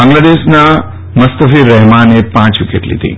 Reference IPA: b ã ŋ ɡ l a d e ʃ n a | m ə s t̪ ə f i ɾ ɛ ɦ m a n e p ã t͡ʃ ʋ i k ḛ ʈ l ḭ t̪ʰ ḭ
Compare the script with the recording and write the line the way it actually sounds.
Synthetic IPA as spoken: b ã ŋ ɡ l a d e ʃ n a | m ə s t̪ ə f i ɾ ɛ ɦ m a n e p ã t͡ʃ ʋ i k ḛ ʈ l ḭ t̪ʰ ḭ